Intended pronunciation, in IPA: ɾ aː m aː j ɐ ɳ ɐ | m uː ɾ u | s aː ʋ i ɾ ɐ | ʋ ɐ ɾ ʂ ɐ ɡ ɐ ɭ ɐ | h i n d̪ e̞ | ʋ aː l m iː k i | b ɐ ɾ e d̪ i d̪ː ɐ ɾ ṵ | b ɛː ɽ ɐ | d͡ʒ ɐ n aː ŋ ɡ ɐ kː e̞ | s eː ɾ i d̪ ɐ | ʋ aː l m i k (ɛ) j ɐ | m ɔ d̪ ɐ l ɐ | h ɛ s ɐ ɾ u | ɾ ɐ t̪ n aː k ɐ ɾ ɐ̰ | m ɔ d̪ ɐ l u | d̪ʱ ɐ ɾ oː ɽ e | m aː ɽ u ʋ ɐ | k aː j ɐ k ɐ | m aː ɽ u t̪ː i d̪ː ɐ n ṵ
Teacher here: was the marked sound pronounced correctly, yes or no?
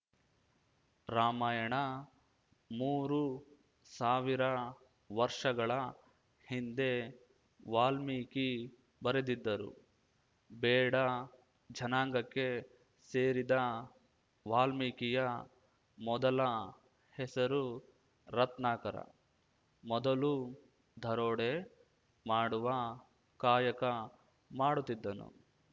no